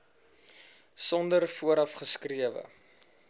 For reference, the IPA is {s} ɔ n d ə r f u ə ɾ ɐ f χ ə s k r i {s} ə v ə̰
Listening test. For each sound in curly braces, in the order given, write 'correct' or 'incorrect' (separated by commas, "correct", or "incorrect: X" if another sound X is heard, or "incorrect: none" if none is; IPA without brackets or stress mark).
correct, incorrect: none